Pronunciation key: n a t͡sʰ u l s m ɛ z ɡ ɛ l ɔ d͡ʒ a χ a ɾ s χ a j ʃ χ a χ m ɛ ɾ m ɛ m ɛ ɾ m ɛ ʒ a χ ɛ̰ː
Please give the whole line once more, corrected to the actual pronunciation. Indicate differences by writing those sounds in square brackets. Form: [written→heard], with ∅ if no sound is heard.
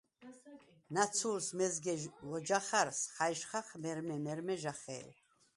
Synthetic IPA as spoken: n a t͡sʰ u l s m ɛ z ɡ ɛ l ɔ d͡ʒ a χ a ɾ s χ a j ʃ χ a χ m ɛ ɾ m ɛ m ɛ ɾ m ɛ ʒ a χ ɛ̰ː